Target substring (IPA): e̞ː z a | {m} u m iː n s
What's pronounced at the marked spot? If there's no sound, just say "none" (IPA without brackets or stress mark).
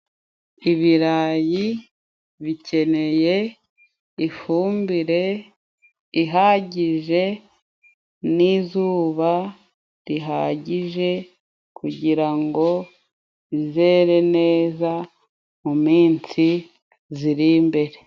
m